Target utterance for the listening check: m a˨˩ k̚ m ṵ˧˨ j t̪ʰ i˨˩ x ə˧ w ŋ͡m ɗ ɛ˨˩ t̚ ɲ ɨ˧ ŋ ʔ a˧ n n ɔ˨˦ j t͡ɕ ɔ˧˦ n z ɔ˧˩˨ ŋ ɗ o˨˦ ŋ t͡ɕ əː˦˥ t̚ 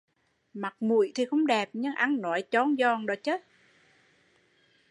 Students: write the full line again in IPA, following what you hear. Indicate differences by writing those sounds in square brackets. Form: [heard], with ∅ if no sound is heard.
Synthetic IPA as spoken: m a˨˩ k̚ m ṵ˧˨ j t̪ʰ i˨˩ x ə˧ w ŋ͡m ɗ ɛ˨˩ [p̚] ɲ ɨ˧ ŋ ʔ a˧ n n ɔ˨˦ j t͡ɕ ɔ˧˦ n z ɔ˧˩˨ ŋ ɗ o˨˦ [∅] t͡ɕ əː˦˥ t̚